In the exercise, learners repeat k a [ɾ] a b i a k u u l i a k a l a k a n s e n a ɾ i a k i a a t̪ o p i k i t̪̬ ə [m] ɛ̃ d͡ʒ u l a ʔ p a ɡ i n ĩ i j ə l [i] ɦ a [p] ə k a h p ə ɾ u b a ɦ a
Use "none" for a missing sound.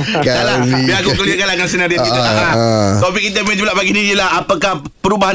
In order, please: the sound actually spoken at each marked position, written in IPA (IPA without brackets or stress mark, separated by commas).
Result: l, m, a, p